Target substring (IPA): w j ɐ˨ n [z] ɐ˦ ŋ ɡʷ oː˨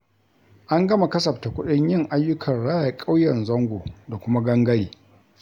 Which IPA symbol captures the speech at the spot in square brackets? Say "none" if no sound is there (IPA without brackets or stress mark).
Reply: z